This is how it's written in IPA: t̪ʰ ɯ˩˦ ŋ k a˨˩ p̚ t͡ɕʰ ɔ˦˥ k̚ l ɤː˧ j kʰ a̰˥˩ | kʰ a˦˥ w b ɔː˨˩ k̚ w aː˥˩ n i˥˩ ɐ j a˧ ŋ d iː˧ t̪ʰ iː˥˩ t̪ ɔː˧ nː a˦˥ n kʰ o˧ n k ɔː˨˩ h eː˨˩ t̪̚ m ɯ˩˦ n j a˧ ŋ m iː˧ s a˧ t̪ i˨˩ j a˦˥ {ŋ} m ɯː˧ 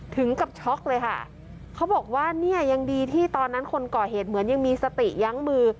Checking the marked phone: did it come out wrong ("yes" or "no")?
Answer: no